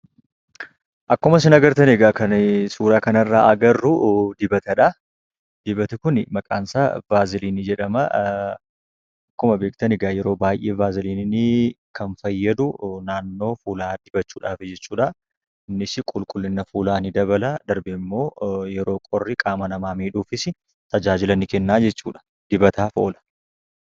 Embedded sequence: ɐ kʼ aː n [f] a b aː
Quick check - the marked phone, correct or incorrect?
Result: incorrect: s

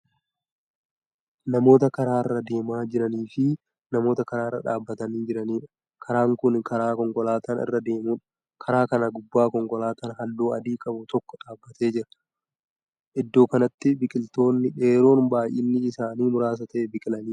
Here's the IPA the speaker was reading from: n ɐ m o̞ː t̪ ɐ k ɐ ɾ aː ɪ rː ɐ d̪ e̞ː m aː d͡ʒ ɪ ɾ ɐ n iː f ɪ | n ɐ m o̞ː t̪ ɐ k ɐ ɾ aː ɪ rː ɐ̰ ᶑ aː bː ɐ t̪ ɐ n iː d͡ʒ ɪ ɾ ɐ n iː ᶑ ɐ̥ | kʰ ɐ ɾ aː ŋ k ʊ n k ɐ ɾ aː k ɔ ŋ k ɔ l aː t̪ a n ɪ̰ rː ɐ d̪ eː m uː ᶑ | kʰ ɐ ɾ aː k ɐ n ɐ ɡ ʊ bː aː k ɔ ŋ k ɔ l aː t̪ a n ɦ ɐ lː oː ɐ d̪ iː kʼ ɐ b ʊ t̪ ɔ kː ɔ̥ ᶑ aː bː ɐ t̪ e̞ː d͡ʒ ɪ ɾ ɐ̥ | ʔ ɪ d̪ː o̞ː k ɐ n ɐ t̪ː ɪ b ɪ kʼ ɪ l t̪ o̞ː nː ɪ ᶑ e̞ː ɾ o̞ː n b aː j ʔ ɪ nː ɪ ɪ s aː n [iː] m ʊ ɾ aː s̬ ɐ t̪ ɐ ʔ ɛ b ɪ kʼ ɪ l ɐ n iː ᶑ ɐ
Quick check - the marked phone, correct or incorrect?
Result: correct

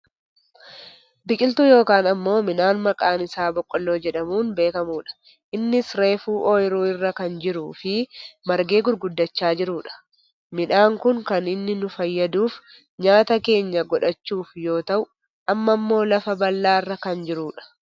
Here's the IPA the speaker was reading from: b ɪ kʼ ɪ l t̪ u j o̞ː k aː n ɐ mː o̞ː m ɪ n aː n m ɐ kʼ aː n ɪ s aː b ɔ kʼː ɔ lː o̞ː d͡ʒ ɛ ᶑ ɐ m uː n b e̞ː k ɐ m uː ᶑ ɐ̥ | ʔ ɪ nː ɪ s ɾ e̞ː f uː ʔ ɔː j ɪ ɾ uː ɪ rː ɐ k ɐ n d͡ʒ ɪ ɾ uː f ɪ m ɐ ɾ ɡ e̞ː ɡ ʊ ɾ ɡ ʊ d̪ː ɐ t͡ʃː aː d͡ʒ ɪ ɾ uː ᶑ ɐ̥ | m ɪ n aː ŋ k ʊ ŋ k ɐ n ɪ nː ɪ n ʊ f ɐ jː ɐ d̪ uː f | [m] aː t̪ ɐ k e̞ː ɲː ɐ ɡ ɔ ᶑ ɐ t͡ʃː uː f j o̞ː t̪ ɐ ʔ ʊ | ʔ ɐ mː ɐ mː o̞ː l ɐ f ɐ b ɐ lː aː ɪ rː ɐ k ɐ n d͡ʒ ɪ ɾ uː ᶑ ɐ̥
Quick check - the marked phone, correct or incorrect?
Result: incorrect: ɲ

